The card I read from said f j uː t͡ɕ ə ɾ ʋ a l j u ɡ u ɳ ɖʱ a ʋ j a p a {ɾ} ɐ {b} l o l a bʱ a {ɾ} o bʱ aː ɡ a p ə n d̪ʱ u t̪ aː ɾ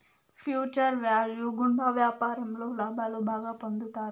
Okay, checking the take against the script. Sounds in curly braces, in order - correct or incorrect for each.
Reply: correct, incorrect: m, incorrect: l

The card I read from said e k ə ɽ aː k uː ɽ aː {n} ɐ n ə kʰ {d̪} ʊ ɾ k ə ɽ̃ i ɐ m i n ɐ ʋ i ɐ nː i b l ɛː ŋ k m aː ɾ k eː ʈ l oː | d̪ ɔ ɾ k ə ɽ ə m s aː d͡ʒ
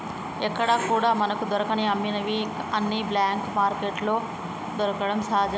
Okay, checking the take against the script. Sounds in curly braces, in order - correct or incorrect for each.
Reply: incorrect: m, correct

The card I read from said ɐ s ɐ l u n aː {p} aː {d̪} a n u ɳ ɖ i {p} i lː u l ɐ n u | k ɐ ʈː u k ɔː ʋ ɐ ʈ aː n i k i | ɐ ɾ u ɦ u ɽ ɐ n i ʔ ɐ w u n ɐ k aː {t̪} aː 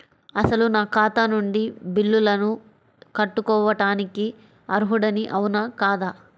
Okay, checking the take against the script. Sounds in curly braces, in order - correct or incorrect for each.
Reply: incorrect: k, incorrect: t̪, incorrect: b, incorrect: d̪

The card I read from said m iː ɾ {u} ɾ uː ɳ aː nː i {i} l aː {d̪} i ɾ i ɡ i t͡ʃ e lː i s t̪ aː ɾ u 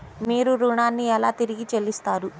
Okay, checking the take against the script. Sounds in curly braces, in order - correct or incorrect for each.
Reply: correct, incorrect: ɛ, incorrect: t̪

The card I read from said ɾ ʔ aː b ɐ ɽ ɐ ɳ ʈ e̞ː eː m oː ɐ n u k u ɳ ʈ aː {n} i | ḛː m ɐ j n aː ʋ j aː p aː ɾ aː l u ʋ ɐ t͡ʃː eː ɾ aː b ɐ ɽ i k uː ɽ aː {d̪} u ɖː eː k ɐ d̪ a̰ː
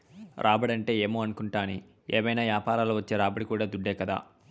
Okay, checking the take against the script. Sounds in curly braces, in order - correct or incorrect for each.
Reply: correct, correct

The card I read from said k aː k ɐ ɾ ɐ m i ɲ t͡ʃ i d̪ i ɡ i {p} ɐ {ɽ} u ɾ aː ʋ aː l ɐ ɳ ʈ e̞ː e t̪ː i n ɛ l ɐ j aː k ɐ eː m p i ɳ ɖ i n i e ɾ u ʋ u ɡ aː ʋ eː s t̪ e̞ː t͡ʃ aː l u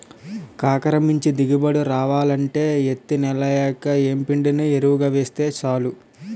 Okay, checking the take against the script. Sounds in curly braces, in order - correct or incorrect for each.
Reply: incorrect: b, correct

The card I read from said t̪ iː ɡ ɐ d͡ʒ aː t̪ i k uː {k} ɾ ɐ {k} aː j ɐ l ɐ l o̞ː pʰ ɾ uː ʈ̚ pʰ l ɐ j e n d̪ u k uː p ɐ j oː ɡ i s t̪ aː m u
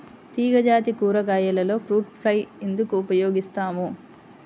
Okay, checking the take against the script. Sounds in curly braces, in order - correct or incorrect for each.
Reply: incorrect: none, incorrect: ɡ

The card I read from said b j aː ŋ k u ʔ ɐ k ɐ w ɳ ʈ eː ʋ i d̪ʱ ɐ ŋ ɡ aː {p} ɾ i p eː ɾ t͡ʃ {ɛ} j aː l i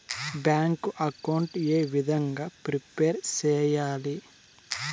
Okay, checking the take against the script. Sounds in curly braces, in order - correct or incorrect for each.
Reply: correct, incorrect: ɛː

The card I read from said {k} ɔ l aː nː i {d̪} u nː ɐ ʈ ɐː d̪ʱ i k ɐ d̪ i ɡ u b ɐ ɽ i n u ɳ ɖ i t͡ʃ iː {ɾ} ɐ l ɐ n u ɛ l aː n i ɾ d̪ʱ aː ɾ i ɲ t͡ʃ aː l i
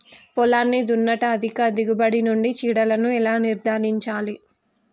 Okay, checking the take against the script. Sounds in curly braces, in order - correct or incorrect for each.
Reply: incorrect: p, correct, incorrect: ɽ

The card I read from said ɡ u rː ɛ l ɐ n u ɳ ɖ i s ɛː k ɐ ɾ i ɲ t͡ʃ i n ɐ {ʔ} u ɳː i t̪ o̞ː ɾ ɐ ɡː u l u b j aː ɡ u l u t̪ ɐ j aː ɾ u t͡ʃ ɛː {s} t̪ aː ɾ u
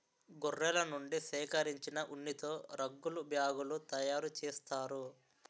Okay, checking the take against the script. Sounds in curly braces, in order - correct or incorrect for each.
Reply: correct, correct

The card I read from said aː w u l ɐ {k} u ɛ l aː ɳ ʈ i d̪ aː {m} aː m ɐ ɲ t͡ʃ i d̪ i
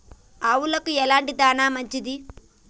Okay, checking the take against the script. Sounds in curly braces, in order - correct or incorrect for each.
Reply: correct, incorrect: n

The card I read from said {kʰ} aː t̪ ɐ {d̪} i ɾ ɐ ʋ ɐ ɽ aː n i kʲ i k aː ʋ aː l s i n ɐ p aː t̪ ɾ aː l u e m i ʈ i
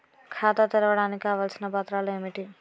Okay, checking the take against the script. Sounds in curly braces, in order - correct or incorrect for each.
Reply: correct, incorrect: t̪

